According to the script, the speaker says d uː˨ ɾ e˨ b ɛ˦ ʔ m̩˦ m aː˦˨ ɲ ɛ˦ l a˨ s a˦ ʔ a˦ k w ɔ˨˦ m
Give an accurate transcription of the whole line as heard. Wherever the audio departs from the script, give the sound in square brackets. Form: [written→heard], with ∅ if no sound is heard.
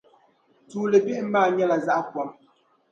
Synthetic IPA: [d→t] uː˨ [ɾ→l] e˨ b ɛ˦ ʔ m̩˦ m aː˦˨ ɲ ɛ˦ l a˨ [s→z] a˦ ʔ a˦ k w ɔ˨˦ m